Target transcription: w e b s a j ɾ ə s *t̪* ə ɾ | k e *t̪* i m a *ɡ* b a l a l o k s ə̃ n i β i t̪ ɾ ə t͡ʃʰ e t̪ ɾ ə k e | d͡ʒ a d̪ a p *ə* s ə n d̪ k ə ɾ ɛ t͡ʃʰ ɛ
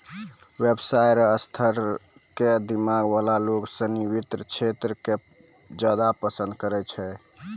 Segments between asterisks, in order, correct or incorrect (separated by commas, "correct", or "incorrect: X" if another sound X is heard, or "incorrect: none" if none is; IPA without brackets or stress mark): incorrect: t̪ʰ, incorrect: d̪, correct, correct